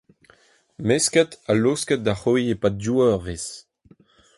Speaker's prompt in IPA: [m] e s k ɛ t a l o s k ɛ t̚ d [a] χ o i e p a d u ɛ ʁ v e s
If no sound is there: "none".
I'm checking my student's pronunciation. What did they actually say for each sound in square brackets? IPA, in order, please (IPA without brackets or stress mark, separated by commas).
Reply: m, a